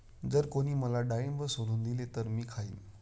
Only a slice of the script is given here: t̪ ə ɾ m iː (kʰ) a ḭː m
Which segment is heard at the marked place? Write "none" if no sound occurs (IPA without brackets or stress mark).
kʰ